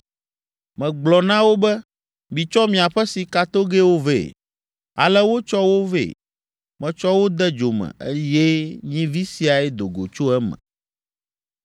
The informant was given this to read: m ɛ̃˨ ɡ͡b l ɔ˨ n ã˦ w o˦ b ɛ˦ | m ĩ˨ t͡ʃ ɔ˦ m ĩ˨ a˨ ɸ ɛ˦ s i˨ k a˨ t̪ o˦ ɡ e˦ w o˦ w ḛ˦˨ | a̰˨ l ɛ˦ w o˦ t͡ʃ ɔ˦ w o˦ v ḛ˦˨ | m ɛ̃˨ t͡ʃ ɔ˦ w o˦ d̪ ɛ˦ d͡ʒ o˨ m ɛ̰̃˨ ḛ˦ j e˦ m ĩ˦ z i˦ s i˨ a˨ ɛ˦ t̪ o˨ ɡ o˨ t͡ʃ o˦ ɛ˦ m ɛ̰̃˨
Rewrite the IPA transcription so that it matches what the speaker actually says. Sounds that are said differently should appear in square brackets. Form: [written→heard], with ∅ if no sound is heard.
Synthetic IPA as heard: m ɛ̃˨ ɡ͡b l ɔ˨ n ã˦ w o˦ b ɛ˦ | m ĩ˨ t͡ʃ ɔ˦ m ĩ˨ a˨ ɸ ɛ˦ s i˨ k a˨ t̪ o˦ ɡ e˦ w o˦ [w→v] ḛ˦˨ | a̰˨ l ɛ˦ w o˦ t͡ʃ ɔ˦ w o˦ v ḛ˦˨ | m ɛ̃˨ t͡ʃ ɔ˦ w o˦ d̪ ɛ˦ d͡ʒ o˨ m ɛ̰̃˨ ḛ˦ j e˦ [m→ɲ] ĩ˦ [z→v] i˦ s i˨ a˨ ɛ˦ [t̪→d̪] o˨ ɡ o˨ t͡ʃ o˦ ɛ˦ m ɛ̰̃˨